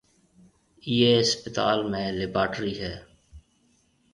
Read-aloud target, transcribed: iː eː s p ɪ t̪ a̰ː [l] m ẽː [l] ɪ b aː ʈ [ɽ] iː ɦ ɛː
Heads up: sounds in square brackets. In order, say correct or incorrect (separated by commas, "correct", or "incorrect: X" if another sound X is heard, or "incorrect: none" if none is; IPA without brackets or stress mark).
correct, correct, incorrect: ɾ